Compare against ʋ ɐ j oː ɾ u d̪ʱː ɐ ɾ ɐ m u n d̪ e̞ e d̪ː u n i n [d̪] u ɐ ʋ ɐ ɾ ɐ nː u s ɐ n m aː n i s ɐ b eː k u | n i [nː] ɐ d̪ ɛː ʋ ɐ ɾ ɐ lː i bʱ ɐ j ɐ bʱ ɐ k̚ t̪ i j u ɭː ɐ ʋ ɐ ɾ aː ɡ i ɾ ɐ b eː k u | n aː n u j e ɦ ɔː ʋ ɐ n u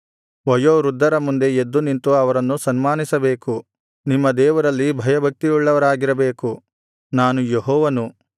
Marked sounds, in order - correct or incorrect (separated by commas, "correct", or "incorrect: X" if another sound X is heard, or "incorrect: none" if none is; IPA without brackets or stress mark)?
incorrect: t̪, incorrect: mː